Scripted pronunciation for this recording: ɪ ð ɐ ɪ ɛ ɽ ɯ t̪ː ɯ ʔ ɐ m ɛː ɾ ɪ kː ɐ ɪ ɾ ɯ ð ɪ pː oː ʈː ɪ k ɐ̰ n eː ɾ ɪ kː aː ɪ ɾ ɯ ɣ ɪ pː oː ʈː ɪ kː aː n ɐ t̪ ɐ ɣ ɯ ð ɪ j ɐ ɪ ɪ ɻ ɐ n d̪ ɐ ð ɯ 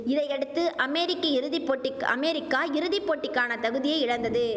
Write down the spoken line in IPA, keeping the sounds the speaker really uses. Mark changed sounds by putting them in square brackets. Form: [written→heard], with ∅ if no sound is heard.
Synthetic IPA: ɪ ð ɐ ɪ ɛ ɽ ɯ t̪ː ɯ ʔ ɐ m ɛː ɾ ɪ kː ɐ ɪ ɾ ɯ ð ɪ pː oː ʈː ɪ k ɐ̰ [n→m] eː ɾ ɪ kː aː ɪ ɾ ɯ [ɣ→ð] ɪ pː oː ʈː ɪ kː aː n ɐ t̪ ɐ ɣ ɯ ð ɪ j ɐ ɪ ɪ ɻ ɐ n d̪ ɐ ð ɯ